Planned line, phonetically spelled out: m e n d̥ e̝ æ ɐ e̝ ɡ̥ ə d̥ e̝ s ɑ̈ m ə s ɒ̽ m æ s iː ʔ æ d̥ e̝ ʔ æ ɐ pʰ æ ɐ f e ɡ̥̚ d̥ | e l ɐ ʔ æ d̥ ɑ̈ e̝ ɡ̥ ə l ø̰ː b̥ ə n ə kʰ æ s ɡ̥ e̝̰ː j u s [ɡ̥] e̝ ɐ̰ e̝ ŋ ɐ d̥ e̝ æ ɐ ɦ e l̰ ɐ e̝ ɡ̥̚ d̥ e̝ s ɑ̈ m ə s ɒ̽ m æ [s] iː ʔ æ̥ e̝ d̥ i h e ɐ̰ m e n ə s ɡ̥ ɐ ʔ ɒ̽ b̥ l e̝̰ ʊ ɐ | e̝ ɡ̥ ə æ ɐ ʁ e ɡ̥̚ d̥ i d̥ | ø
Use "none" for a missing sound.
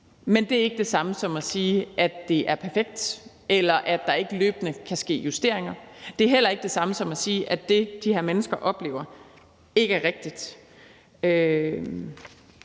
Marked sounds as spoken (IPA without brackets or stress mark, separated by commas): d̥, s